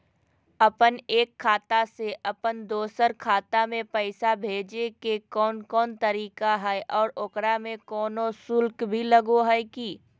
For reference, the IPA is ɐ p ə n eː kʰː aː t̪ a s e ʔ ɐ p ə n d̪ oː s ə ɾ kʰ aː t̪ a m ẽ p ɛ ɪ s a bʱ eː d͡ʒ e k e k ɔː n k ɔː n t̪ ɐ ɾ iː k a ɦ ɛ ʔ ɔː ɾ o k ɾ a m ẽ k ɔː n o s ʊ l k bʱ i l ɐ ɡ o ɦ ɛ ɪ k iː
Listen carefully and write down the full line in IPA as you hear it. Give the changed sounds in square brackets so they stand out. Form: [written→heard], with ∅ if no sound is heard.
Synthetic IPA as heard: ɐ p ə n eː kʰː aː t̪ a s e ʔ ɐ p ə n d̪ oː s ə ɾ kʰ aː t̪ a m ẽ p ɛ ɪ s a bʱ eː d͡ʒ e k e k ɔː n k ɔː n t̪ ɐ ɾ iː k a ɦ ɛ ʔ ɔː ɾ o k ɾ a m ẽ k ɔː n o s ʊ l k bʱ i l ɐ ɡ o ɦ ɛ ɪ k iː